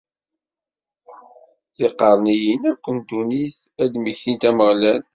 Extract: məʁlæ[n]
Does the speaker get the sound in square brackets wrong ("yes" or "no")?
no